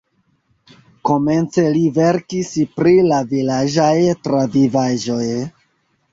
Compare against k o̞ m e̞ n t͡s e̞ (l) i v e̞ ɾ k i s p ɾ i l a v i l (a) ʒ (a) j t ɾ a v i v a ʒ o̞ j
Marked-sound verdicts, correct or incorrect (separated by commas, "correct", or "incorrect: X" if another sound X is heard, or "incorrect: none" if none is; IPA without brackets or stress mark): correct, correct, correct